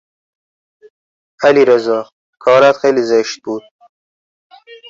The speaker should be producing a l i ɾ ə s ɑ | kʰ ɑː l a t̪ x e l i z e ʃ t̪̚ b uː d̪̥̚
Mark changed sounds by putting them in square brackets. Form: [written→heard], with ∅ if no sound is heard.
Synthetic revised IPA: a l i ɾ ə [s→z] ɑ | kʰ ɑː [l→ɾ] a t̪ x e l i z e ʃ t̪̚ b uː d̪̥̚